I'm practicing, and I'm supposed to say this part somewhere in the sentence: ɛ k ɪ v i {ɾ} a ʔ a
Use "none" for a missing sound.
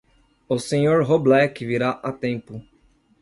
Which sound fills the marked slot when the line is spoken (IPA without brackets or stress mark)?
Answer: ɾ